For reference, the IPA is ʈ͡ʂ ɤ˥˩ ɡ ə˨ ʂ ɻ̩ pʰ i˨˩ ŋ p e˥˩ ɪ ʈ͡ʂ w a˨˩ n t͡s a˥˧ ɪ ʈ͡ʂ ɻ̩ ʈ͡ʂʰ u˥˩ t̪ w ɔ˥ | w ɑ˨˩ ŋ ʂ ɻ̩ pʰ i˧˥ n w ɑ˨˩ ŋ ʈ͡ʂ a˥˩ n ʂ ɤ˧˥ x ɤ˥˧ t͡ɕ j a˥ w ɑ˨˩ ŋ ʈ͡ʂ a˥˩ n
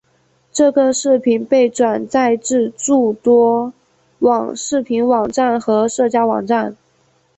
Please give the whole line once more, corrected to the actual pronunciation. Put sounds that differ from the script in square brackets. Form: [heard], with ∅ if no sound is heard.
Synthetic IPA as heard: ʈ͡ʂ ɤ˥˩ ɡ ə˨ ʂ ɻ̩ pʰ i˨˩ [n] p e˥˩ ɪ ʈ͡ʂ w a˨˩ n t͡s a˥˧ ɪ ʈ͡ʂ ɻ̩ [ʈ͡ʂ] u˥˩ t̪ w ɔ˥ | w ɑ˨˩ ŋ ʂ ɻ̩ pʰ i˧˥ n w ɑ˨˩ ŋ ʈ͡ʂ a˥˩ n [x] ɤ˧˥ [ʂ] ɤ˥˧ t͡ɕ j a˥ w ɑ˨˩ ŋ ʈ͡ʂ a˥˩ n